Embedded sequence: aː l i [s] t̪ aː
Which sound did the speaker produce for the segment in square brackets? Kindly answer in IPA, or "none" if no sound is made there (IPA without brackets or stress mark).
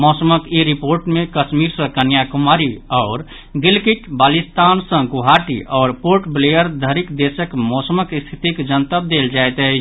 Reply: s